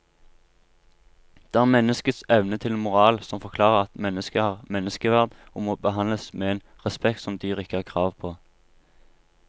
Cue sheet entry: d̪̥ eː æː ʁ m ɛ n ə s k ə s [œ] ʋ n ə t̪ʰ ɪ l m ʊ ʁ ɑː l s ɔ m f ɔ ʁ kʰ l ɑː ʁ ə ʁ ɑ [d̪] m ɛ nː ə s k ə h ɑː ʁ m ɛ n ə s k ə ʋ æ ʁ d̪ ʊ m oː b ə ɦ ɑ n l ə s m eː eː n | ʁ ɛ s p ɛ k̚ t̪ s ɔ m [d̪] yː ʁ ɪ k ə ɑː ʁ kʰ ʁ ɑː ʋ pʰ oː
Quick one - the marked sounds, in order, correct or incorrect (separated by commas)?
incorrect, incorrect, correct